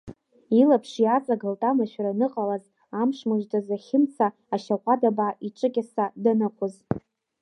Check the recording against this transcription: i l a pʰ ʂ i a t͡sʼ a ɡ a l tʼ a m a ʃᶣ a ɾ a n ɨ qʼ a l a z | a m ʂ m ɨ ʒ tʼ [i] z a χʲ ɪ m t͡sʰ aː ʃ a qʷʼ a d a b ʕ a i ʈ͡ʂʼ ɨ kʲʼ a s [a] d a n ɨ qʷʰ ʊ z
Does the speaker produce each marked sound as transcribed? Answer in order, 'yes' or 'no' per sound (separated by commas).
no, yes